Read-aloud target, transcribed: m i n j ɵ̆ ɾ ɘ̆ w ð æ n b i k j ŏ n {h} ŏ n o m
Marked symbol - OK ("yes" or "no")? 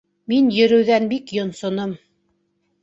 no